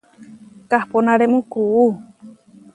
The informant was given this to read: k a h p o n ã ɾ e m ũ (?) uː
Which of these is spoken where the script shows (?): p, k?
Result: k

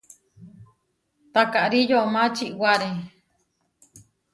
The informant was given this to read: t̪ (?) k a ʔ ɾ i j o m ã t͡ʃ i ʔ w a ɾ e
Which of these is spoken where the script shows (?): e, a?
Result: a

